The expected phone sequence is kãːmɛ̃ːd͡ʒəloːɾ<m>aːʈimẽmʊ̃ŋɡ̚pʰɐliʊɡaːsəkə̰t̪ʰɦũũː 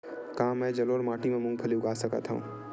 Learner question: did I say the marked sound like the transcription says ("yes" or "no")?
yes